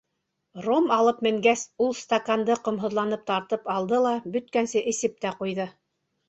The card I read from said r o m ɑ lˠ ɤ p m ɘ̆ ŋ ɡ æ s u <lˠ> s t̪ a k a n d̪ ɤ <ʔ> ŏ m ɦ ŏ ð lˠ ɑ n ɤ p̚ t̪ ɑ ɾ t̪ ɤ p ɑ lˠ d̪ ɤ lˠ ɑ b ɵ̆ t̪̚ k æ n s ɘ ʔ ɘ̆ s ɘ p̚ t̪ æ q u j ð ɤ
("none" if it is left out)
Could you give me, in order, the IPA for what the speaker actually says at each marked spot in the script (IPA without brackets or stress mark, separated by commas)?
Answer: lˠ, q